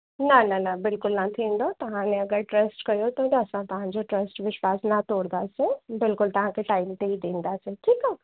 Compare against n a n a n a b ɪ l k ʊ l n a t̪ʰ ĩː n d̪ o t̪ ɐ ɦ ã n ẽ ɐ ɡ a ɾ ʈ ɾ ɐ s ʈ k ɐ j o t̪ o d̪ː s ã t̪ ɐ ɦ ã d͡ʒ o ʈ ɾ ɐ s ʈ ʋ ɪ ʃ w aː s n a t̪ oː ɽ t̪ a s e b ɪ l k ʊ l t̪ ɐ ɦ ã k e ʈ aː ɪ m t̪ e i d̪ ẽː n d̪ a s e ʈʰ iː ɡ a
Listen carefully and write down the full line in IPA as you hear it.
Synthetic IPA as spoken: n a n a n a b ɪ l k ʊ l n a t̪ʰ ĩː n d̪ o t̪ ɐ ɦ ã n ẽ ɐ ɡ ə ɾ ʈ ɾ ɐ s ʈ k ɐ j o t̪ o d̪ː s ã t̪ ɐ ɦ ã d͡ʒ o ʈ ɾ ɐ s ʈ ʋ ɪ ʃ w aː s n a t̪ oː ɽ d̪ a s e b ɪ l k ʊ l t̪ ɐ ɦ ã k e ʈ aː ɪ m t̪ e i d̪ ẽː n d̪ a s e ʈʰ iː k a